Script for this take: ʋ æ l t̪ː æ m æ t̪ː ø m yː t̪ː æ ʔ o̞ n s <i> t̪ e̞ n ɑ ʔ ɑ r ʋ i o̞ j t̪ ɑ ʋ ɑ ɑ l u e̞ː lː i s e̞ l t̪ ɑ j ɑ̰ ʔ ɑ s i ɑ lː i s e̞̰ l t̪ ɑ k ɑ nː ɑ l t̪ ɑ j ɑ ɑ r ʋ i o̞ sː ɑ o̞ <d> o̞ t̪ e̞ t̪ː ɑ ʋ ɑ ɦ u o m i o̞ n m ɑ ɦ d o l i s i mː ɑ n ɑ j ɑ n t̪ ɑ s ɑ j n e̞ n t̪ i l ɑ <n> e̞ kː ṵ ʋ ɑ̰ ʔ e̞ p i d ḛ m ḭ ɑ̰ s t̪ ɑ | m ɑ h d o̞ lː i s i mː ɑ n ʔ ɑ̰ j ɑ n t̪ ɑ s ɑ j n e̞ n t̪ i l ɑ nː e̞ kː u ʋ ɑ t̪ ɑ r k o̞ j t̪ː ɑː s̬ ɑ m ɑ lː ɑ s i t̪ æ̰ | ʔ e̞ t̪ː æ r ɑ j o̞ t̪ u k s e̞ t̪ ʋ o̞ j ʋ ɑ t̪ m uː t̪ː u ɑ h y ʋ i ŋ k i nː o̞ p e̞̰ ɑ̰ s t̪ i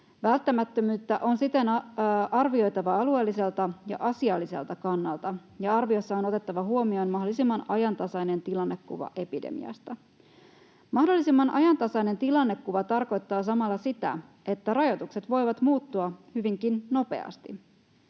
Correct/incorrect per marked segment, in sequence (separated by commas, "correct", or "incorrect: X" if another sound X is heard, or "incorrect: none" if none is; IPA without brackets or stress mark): correct, incorrect: n, incorrect: nː